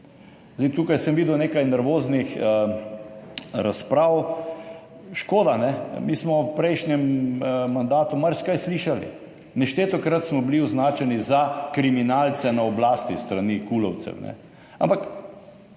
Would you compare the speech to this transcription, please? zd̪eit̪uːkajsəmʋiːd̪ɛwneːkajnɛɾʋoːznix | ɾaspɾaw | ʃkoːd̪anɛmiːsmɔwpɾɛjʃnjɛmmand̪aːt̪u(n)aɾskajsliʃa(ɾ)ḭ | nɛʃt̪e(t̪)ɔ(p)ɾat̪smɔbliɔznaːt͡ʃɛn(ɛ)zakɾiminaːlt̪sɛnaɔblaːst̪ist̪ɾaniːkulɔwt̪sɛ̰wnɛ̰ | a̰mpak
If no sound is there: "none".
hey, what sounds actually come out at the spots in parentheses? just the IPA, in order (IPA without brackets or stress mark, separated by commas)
m, l, t̪, k, i